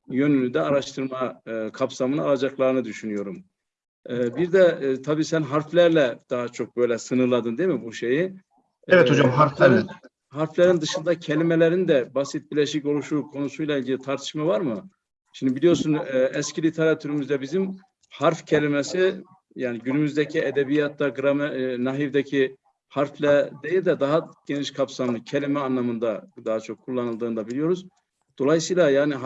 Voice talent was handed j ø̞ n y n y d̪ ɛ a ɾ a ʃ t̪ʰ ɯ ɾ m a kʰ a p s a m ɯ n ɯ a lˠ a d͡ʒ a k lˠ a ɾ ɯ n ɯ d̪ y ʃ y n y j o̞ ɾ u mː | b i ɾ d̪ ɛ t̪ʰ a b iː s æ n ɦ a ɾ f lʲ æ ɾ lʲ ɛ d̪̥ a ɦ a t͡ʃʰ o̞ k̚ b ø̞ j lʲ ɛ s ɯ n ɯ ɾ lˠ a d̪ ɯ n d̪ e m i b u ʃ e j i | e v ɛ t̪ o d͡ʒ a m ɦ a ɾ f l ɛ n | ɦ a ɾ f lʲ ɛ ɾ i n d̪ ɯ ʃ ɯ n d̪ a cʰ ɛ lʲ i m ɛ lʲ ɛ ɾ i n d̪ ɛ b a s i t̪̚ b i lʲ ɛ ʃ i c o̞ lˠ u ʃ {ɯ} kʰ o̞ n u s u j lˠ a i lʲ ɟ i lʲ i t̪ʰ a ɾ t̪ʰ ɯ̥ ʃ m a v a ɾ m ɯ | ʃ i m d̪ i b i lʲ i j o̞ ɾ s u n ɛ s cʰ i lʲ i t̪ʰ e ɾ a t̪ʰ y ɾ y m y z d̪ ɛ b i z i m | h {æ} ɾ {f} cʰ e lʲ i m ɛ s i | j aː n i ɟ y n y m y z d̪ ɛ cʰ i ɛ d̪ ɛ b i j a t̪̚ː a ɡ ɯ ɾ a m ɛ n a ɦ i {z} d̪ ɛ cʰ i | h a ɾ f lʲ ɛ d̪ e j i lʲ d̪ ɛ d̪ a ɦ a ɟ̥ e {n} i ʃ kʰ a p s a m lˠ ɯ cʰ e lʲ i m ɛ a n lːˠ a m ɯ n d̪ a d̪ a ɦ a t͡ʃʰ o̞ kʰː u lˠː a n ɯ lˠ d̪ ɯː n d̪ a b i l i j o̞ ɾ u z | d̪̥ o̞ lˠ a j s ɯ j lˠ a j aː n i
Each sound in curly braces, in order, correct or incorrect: incorrect, incorrect, correct, incorrect, correct

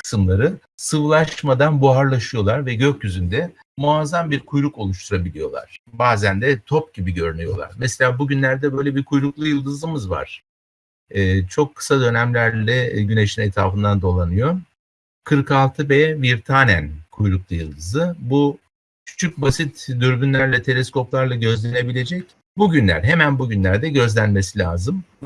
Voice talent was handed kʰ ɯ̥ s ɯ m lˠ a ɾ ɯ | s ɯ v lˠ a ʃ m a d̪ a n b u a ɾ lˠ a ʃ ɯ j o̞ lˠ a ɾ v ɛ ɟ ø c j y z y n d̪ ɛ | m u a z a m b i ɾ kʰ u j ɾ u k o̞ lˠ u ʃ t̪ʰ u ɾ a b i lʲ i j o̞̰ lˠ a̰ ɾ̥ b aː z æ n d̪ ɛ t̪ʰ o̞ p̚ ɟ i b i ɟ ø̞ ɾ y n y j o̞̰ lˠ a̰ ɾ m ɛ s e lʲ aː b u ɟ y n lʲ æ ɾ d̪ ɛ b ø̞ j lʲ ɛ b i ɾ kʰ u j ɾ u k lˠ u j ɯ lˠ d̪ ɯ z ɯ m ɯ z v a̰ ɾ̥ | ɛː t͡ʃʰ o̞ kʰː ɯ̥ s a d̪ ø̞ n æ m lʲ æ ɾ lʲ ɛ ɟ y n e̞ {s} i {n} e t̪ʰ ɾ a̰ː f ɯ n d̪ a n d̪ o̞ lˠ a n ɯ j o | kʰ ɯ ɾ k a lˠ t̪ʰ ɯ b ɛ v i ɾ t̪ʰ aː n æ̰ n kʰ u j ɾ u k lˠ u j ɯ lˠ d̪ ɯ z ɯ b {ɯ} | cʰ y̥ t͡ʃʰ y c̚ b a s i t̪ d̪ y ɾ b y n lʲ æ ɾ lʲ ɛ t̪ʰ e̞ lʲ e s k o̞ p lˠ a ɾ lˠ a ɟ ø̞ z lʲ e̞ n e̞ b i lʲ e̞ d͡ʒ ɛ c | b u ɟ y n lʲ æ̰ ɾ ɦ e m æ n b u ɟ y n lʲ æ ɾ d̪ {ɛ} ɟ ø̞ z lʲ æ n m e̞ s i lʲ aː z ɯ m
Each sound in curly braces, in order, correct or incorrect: incorrect, correct, incorrect, correct

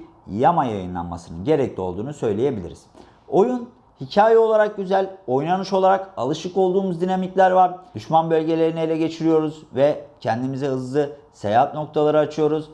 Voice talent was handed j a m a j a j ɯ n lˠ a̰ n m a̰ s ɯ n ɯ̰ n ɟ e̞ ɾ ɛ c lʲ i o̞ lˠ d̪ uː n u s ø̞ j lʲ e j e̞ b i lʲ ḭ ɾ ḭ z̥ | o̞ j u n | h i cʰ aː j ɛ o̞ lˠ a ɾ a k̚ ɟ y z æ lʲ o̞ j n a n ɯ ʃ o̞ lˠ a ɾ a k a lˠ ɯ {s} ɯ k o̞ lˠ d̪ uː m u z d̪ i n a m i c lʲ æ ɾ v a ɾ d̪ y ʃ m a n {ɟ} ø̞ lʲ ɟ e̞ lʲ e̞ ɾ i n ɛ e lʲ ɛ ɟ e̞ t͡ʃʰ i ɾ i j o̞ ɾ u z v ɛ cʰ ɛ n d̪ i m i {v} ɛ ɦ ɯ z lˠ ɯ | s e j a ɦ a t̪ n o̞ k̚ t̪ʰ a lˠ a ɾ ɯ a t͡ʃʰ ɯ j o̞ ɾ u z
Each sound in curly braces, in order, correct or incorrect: incorrect, incorrect, incorrect

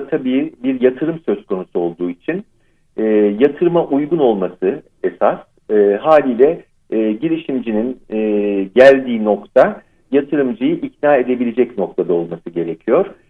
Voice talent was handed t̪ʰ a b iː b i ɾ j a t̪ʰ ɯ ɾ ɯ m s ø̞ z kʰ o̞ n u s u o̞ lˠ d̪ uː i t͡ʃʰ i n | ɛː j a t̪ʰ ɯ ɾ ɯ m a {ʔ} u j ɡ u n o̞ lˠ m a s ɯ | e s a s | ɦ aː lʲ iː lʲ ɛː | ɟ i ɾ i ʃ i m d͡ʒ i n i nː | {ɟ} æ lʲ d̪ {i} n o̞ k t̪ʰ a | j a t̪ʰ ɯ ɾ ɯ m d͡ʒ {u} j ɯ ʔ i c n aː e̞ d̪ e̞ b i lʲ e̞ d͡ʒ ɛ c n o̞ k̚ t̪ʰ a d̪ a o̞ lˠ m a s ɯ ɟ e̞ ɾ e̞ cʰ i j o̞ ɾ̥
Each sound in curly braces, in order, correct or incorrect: correct, correct, incorrect, incorrect

